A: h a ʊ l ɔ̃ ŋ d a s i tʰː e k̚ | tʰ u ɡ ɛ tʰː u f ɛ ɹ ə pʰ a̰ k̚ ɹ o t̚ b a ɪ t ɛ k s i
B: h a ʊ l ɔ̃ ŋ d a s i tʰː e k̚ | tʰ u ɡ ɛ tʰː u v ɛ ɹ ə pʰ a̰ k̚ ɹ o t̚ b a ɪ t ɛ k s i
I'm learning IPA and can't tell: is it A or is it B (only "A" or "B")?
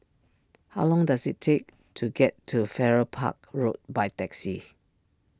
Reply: A